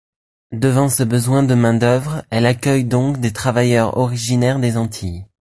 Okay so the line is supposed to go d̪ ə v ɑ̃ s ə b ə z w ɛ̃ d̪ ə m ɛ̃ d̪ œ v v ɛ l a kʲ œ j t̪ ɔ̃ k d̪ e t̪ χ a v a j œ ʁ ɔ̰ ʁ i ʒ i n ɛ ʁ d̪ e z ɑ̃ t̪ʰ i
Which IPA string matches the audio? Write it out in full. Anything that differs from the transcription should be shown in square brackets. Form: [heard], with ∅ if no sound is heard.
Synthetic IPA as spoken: d̪ ə v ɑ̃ s ə b ə z w ɛ̃ d̪ ə m ɛ̃ d̪ œ v [ʁ] ɛ l a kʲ œ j [d̪] ɔ̃ k d̪ e t̪ χ a v a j œ ʁ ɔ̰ ʁ i ʒ i n ɛ ʁ d̪ e z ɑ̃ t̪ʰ i